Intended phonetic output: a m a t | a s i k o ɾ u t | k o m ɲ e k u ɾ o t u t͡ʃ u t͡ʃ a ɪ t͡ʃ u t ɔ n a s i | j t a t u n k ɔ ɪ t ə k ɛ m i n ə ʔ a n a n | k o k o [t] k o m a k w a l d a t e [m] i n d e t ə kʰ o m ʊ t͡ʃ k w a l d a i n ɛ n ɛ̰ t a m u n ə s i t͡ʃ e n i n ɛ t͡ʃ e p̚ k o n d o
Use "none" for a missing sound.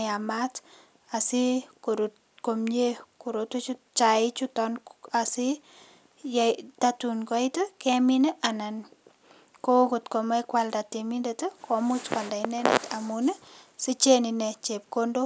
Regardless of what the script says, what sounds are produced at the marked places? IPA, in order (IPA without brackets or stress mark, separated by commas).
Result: t, m